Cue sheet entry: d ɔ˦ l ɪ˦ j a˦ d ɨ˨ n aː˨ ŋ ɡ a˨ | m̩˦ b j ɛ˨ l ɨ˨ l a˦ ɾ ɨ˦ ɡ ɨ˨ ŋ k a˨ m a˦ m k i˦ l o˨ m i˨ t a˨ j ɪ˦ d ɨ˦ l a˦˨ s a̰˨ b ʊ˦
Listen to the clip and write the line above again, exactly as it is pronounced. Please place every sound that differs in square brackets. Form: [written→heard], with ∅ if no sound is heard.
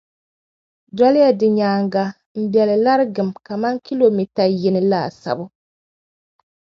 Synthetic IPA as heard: d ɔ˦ l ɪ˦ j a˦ d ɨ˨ [n→ɲ] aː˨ ŋ ɡ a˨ | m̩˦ b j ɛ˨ l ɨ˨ l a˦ ɾ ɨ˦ ɡ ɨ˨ [ŋ→m] k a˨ m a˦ [m→ŋ] k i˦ l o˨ m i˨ t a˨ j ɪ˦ [d→n] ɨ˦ l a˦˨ s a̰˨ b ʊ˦